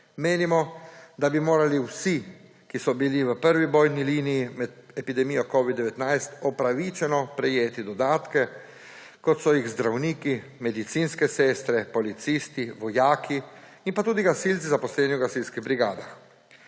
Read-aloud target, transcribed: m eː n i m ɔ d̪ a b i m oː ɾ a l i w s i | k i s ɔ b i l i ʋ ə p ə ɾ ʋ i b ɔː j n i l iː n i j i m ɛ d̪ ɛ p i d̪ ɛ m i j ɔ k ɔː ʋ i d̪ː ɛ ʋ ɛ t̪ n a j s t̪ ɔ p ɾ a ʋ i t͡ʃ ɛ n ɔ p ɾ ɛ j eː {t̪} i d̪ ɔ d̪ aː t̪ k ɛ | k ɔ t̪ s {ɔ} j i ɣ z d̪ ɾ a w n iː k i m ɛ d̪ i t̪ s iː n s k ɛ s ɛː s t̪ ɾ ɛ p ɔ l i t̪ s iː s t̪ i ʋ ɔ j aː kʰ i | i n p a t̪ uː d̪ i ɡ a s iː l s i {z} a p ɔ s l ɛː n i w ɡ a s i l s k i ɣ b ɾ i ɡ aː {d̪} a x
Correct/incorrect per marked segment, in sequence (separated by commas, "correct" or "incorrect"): correct, correct, correct, correct